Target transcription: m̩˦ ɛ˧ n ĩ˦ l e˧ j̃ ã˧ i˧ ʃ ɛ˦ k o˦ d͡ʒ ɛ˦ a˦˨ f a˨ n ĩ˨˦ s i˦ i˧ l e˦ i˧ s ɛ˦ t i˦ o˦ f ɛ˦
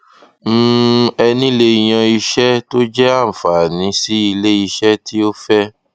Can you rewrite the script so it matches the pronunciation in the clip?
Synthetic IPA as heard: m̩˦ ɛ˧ n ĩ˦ l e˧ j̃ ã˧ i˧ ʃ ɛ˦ t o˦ d͡ʒ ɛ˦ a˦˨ f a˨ n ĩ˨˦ s i˦ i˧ l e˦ i˧ ʃ ɛ˦ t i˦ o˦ f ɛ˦

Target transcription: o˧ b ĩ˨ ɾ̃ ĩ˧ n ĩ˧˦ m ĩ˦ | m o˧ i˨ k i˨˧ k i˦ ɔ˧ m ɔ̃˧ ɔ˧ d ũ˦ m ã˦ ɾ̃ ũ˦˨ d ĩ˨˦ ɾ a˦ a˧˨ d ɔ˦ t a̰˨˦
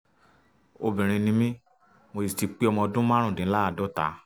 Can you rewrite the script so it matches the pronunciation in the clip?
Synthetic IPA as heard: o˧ b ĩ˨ ɾ̃ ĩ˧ n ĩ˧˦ m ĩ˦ | m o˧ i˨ t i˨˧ k͡p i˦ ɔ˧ m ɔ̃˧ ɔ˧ d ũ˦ m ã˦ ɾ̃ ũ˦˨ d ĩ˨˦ l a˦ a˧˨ d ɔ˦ t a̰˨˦

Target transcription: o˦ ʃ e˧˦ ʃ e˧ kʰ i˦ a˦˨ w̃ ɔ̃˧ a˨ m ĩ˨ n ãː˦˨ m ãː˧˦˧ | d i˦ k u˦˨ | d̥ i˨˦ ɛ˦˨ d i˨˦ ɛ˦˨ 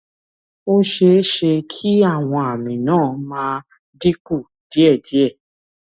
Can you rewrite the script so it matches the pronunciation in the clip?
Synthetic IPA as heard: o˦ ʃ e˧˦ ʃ e˧ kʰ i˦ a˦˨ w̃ ɔ̃˧ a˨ m ĩ˨ n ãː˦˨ m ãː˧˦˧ | d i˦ k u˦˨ | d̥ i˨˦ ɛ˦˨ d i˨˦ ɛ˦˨

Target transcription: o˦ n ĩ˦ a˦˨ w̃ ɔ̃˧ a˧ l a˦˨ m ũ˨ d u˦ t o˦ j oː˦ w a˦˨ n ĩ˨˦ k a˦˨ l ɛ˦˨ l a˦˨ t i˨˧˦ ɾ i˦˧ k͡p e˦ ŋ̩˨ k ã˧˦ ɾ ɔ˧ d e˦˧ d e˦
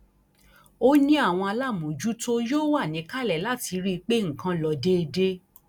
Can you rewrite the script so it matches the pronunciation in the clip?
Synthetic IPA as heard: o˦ n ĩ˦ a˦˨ w̃ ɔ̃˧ a˧ l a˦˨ m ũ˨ d͡ʒ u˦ t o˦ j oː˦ w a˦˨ n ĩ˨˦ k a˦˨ l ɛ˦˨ l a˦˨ t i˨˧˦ ɾ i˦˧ k͡p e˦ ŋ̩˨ k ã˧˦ l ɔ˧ d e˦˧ d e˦

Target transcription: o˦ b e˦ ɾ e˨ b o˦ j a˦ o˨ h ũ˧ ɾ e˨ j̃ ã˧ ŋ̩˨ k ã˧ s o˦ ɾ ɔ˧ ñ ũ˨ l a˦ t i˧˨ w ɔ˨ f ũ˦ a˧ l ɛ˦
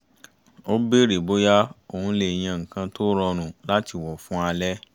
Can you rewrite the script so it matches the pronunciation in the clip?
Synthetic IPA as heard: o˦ b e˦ ɾ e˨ b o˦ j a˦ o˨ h ũ˧ l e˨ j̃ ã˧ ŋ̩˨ k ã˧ t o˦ ɾ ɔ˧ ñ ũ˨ l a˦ t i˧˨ w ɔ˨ f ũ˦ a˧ l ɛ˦

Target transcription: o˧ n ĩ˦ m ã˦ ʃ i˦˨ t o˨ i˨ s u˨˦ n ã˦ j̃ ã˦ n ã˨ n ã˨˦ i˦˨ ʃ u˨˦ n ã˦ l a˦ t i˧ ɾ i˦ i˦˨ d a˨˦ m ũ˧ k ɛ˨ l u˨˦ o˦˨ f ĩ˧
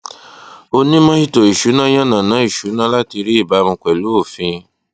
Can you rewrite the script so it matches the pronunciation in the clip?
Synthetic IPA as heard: o˧ n ĩ˦ m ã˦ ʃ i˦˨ t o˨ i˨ ʃ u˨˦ n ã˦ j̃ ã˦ n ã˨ n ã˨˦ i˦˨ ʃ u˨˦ n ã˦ l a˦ t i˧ ɾ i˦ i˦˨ b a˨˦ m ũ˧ k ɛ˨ l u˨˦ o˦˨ f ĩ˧

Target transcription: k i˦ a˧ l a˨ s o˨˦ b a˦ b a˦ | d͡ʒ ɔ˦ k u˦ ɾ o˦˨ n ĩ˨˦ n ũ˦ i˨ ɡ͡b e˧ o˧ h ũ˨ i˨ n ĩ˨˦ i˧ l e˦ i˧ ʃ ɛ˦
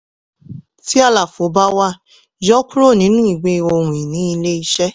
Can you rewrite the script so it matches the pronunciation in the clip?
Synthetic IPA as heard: t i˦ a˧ l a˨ f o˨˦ b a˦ w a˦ | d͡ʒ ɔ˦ k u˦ ɾ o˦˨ n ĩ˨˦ n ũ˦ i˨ ɡ͡b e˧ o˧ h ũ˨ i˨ n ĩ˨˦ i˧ l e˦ i˧ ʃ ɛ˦

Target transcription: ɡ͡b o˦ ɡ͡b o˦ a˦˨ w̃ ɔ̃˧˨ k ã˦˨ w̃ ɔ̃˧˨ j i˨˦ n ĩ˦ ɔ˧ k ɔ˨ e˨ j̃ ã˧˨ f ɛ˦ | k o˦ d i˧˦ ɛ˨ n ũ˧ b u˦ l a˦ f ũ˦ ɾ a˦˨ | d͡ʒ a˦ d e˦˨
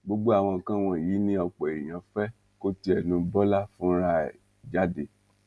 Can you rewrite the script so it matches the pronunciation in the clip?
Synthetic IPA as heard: ɡ͡b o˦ ɡ͡b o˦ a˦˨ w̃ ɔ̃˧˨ k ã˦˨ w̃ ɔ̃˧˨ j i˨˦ n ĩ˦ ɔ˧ k͡p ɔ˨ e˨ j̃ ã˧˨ f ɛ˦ | k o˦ t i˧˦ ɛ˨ n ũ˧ b ɔ˦ l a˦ f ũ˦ ɾ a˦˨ | d͡ʒ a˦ d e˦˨

